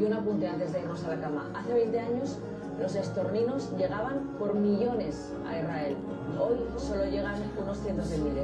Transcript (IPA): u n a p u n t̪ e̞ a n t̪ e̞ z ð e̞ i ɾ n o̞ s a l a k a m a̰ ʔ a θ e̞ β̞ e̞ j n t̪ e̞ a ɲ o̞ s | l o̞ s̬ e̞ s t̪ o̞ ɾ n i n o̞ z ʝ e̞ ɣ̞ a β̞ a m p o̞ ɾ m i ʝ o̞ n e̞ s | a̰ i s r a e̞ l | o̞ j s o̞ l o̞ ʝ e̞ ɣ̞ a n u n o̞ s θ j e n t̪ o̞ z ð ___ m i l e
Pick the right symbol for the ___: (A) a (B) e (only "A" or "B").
B